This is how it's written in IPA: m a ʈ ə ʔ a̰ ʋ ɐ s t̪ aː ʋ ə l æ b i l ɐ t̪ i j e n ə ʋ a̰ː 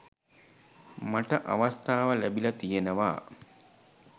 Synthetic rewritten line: m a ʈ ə ʔ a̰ ʋ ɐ s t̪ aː ʋ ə l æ b i l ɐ t̪ i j e n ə ʋ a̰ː